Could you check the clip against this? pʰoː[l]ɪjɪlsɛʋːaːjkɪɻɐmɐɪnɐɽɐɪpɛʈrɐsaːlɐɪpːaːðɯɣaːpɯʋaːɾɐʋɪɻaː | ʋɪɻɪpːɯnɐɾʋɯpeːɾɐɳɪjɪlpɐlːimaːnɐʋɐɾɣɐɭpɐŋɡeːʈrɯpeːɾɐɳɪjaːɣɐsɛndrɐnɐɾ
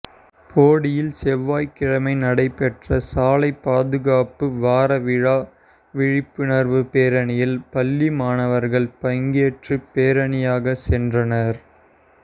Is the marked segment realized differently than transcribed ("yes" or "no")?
yes